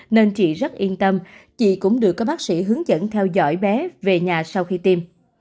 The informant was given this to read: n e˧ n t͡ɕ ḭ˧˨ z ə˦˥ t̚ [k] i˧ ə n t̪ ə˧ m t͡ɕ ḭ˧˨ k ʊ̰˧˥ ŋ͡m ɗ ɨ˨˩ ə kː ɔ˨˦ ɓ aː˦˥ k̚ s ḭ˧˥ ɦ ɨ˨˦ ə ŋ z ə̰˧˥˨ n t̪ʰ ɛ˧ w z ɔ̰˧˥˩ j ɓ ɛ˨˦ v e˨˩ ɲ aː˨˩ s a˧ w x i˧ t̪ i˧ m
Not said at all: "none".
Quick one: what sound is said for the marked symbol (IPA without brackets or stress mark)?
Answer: ʔ